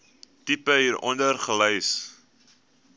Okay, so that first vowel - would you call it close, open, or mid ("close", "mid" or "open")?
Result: close